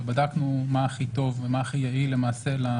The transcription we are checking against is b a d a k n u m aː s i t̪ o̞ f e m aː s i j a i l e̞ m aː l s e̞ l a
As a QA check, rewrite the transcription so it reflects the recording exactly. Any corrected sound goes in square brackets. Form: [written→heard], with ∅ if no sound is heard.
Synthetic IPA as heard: b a d a k n u m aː [s→χ] i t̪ o̞ [f→v] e m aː [s→χ] i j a i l e̞ m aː [l→∅] s e̞ l a